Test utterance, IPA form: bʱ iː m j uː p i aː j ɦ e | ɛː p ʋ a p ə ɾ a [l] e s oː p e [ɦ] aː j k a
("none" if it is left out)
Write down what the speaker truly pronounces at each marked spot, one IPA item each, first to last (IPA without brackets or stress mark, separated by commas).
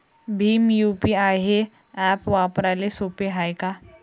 l, ɦ